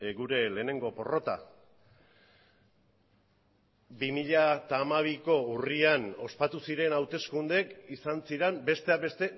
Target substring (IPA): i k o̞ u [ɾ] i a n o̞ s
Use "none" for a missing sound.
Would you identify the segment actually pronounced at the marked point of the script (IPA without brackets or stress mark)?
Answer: r